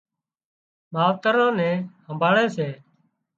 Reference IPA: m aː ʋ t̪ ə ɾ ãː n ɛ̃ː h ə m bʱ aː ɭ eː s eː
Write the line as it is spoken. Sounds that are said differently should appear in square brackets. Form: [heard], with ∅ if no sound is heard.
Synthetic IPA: m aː ʋ t̪ ə ɾ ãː n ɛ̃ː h ə m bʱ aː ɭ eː s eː